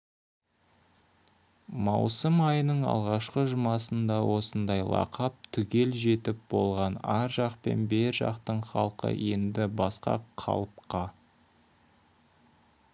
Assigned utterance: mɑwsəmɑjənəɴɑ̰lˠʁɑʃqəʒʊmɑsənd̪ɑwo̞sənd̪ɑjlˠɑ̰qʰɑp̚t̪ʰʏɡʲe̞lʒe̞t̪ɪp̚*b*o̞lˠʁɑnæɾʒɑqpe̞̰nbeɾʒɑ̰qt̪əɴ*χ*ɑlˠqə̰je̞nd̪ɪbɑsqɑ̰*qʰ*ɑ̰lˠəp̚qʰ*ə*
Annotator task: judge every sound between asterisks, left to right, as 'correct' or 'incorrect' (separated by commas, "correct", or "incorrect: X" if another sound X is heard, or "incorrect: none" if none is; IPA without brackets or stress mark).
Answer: correct, correct, correct, incorrect: ɑ